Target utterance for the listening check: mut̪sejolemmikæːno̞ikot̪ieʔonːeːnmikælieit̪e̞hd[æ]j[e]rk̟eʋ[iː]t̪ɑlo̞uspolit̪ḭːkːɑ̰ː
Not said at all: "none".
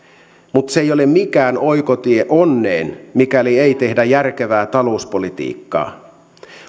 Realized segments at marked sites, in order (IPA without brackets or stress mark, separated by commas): æ, æ, æː